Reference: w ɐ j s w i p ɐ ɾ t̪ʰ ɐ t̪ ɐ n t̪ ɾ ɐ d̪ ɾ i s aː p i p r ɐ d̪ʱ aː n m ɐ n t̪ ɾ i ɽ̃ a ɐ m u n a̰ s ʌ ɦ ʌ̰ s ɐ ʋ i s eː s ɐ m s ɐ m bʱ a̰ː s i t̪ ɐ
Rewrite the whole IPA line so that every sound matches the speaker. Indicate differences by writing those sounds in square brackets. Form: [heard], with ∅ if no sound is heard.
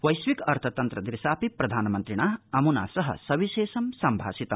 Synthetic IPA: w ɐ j s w i [k] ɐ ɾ t̪ʰ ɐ t̪ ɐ n t̪ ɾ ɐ d̪ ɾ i s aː p i p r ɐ d̪ʱ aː n m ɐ n t̪ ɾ i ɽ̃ a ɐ m u n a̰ s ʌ ɦ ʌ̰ s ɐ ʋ i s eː s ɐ m s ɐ m bʱ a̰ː s i t̪ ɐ